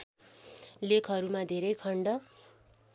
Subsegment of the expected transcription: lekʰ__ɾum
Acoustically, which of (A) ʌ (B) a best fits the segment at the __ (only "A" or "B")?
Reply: A